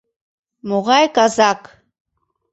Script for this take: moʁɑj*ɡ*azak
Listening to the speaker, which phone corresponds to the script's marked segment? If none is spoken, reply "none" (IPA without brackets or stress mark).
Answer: k